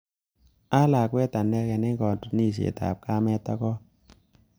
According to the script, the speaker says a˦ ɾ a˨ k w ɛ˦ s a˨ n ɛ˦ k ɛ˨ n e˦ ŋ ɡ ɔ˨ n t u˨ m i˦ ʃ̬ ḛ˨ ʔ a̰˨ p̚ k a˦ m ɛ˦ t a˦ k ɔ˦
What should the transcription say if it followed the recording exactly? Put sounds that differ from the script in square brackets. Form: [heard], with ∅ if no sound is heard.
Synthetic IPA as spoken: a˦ [l] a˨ k w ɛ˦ [t] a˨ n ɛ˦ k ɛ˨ n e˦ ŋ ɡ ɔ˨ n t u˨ [n] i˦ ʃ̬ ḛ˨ [t] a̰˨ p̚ k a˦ m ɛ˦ t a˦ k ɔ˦